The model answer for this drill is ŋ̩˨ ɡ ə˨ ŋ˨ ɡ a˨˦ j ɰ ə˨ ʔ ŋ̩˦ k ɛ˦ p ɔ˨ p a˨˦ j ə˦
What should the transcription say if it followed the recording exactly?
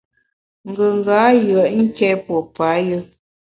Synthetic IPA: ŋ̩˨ ɡ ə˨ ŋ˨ ɡ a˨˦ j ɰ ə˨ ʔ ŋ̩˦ k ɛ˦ p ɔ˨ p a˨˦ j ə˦